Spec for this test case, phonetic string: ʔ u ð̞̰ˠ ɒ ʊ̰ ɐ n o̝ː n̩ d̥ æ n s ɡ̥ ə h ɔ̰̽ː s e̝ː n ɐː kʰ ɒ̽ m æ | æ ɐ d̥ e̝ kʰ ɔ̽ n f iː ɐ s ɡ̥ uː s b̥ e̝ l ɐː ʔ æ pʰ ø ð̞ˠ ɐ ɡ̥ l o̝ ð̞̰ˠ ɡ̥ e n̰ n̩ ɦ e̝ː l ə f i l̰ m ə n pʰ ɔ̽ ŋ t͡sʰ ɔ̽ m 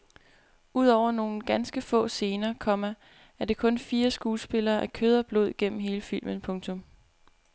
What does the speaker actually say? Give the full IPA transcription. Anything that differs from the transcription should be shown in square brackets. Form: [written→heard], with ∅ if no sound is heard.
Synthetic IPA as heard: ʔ u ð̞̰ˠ ɒ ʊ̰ ɐ n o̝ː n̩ [d̥→ɡ̥] æ n s ɡ̥ ə [h→f] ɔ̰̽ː s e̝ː n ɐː kʰ ɒ̽ m æ | æ ɐ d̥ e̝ kʰ ɔ̽ n f iː ɐ s ɡ̥ uː s b̥ e̝ l ɐː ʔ æ [pʰ→kʰ] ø ð̞ˠ ɐ [ɡ̥→b̥] l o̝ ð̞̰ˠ ɡ̥ e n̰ [n̩→m̩] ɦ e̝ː l ə f i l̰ m ə n pʰ ɔ̽ ŋ t͡sʰ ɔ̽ m